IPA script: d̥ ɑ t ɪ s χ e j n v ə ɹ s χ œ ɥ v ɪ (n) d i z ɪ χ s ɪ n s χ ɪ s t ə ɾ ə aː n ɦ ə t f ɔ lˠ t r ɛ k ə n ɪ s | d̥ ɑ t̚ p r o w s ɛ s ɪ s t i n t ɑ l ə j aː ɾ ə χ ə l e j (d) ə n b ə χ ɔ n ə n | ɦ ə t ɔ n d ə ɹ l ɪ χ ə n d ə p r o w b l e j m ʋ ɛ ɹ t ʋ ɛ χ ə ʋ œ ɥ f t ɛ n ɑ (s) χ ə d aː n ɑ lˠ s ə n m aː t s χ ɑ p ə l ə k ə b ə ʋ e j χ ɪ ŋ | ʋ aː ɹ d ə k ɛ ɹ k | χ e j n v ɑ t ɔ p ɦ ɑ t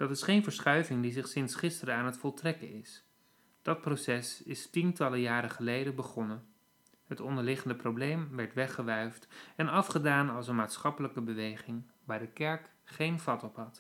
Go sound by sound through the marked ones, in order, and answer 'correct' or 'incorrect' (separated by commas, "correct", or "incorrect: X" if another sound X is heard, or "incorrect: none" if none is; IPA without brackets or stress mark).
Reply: incorrect: ŋ, correct, incorrect: f